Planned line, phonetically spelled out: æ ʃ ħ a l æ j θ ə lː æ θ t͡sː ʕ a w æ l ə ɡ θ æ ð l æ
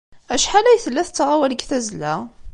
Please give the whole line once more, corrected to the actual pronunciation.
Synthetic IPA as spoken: æ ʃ ħ a l æ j θ ə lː æ θ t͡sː ʁ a w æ l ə ɡ θ æ z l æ